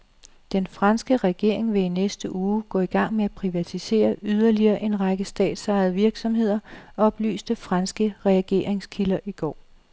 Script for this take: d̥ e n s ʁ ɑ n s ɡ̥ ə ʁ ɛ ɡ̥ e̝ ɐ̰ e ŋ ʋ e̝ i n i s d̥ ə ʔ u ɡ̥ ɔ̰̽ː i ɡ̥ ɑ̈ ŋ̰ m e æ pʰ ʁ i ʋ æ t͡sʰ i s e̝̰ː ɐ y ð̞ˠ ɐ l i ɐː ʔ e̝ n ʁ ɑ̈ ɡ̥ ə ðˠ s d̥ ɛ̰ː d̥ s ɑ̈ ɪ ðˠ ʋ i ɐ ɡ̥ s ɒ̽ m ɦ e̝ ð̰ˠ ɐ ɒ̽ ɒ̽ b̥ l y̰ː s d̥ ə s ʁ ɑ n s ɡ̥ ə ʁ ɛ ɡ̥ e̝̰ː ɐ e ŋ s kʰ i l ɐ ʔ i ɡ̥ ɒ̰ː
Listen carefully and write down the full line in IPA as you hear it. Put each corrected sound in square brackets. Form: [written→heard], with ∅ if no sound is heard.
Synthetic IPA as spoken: d̥ e n [s→f] ʁ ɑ n s ɡ̥ ə ʁ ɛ ɡ̥ e̝ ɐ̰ e ŋ ʋ e̝ i n [i→e] s d̥ ə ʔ [u→uː] ɡ̥ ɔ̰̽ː i ɡ̥ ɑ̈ ŋ̰ m e æ pʰ ʁ i ʋ æ t͡sʰ i s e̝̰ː ɐ y ð̞ˠ ɐ l i ɐː ʔ e̝ n ʁ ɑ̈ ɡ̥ ə [ðˠ→∅] s d̥ ɛ̰ː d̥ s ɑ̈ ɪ ðˠ ʋ i ɐ ɡ̥ s ɒ̽ m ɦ e̝ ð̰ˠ ɐ ɒ̽ ɒ̽ b̥ l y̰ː s d̥ ə [s→f] ʁ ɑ n s ɡ̥ ə ʁ ɛ ɡ̥ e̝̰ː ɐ e ŋ s kʰ i l ɐ ʔ i ɡ̥ ɒ̰ː